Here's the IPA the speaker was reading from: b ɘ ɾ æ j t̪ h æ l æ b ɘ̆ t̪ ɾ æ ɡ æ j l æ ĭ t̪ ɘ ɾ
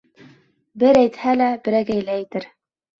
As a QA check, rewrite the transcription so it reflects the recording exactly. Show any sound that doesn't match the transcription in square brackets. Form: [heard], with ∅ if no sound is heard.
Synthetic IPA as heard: b ɘ ɾ æ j t̪ h æ l æ b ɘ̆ [∅] ɾ æ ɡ æ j l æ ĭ t̪ ɘ ɾ